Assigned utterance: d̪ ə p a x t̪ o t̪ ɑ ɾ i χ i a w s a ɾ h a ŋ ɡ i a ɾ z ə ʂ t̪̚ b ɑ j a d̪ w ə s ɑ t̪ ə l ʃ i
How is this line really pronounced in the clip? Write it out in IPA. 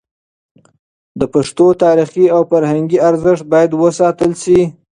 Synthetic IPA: d̪ ə p a ʂ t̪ o t̪ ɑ ɾ i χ i a w f a ɾ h a ŋ ɡ i a ɾ z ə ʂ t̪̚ b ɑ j a d̪ w ə s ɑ t̪ ə l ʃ i